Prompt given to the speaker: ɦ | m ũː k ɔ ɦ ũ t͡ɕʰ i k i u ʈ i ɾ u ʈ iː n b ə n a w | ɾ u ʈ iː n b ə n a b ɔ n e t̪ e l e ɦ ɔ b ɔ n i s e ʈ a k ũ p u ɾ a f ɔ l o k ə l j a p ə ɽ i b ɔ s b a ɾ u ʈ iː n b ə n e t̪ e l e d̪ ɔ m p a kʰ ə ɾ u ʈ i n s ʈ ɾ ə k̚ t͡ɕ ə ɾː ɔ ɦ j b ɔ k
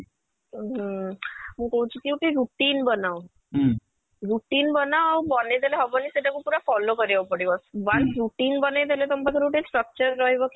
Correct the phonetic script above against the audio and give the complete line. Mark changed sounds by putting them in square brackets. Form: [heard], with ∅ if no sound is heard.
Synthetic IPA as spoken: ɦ | m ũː k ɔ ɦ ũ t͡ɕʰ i k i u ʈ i ɾ u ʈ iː n b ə n a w | ɾ u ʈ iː n b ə n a b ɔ n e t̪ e l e ɦ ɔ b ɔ n i s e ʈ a k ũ p u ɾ a f ɔ l o k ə [ɾ] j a p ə ɽ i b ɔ s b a ɾ u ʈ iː n b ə n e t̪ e l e [t̪] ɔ m p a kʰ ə ɾ u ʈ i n s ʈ ɾ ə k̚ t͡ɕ ə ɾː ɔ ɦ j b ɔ k